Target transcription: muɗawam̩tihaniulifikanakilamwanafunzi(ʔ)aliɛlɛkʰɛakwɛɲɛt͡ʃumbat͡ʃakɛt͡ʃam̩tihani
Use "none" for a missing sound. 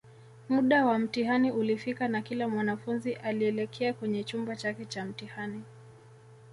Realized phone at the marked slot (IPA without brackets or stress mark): ʔ